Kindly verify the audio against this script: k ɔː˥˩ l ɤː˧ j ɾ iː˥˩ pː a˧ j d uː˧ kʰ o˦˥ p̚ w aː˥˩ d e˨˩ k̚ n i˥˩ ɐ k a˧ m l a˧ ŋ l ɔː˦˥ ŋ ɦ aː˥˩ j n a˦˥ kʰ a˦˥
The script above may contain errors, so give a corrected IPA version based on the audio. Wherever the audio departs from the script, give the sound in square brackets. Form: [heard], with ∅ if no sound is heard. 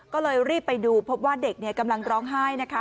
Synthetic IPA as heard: k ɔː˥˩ l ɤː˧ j ɾ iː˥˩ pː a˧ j d uː˧ [pʰ] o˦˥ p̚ w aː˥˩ d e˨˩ k̚ n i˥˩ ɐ k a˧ m l a˧ ŋ [ɾ] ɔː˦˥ ŋ ɦ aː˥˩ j n a˦˥ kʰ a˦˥